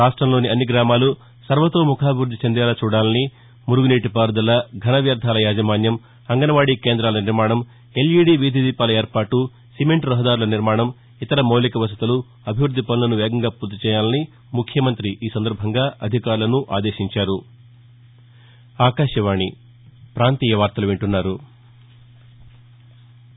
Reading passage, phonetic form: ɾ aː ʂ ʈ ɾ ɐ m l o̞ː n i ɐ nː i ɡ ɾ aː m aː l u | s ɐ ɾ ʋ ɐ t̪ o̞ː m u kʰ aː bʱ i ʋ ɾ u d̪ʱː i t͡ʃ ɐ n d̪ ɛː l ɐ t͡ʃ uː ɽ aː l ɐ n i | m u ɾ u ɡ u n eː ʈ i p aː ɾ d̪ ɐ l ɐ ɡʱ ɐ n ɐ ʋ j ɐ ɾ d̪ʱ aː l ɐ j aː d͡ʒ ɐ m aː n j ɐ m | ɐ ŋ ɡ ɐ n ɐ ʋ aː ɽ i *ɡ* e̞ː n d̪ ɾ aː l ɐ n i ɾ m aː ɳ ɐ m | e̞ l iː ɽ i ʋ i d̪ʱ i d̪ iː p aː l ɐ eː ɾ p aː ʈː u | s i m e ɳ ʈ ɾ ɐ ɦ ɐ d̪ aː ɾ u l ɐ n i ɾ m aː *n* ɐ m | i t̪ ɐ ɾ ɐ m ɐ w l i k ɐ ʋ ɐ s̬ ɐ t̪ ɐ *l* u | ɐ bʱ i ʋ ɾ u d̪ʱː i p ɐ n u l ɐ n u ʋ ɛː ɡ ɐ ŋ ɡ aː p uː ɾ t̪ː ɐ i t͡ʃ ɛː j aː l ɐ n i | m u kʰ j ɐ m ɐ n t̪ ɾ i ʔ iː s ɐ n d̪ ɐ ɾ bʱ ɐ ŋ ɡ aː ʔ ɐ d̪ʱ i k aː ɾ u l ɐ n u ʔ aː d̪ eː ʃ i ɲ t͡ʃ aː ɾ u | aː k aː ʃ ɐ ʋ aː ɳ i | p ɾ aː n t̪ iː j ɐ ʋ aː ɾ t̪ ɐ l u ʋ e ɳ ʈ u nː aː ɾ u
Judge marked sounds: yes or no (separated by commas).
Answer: no, no, yes